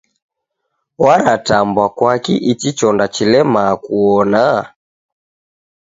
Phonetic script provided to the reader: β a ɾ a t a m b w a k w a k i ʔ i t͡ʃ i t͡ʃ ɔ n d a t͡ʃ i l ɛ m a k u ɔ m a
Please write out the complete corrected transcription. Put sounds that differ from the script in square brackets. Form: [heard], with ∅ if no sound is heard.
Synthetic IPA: [w] a ɾ a t a m b w a k w a k i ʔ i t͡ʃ i t͡ʃ ɔ n d a t͡ʃ i l ɛ m a k u ɔ [n] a